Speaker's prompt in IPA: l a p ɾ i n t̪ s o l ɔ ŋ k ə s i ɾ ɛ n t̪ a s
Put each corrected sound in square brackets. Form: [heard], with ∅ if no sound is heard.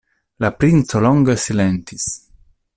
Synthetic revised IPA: l a p ɾ i n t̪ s o l ɔ ŋ [ɡ] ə s i [l] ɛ n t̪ [i] s